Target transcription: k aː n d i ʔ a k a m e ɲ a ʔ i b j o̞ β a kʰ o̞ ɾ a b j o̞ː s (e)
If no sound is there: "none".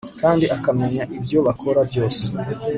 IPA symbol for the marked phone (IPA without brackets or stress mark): e